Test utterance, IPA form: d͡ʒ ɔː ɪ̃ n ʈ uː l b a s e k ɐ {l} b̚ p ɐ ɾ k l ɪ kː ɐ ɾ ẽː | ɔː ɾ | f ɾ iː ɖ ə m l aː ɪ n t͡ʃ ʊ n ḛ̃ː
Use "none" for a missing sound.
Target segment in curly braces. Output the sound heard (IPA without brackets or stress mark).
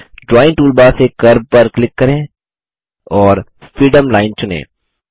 ɾ